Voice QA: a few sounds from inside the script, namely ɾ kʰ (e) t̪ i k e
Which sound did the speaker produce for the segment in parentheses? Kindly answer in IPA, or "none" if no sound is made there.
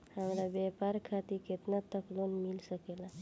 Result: a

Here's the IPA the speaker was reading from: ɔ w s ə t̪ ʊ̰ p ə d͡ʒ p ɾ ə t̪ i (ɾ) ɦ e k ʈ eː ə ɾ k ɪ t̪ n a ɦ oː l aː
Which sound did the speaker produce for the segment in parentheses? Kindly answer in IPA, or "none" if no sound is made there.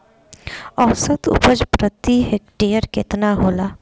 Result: none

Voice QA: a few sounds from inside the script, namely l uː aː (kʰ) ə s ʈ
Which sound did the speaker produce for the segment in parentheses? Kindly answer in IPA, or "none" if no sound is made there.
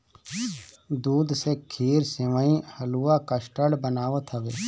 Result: k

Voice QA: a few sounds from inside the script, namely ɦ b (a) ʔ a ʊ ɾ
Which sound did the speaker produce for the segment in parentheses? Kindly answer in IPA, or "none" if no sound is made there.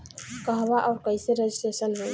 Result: a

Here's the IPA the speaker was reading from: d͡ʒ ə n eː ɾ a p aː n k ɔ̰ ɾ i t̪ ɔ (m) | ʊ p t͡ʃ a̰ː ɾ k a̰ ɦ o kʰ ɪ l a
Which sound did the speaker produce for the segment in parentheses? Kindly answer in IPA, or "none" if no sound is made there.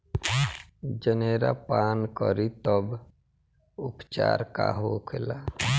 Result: b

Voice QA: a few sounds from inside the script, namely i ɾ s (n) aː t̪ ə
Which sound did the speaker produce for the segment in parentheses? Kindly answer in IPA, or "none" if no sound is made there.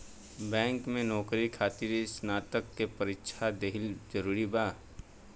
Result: n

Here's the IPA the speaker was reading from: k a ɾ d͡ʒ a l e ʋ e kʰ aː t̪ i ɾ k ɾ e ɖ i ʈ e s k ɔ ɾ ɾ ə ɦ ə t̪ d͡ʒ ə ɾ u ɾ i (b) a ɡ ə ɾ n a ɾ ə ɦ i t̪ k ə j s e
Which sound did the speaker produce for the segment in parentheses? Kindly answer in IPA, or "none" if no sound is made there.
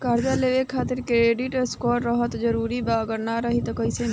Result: b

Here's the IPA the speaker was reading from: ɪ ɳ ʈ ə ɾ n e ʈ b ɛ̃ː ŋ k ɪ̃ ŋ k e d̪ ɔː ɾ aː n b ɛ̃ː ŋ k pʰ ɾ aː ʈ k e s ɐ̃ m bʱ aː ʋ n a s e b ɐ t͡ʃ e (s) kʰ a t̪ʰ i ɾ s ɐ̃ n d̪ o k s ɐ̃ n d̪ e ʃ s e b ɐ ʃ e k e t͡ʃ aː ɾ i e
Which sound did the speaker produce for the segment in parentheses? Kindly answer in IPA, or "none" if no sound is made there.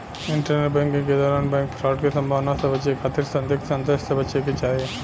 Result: none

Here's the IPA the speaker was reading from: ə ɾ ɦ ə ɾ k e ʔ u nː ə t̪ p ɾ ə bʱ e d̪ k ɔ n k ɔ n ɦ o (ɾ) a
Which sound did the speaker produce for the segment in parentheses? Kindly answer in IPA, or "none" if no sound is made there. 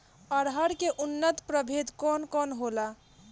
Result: l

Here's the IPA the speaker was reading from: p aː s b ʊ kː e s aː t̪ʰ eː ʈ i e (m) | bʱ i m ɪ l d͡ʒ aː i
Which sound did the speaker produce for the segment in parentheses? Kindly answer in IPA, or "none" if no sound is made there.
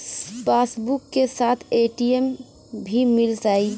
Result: m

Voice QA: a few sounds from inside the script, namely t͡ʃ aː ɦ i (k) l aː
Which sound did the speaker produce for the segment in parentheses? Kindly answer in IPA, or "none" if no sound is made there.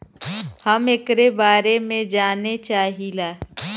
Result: none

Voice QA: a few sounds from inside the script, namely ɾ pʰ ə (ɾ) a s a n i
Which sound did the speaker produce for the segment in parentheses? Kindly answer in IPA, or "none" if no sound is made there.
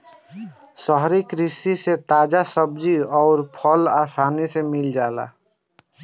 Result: l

